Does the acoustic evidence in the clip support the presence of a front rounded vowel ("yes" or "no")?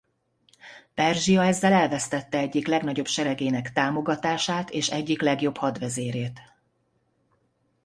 no